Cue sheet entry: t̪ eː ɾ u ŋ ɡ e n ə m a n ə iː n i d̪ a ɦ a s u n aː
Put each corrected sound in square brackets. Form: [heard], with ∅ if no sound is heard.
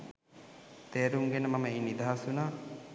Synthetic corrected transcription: t̪ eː ɾ u ŋ ɡ e n ə m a [m] ə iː n i d̪ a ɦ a s u n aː